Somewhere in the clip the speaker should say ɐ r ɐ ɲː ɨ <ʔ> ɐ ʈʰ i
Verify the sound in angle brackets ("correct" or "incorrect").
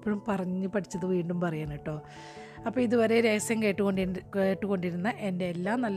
incorrect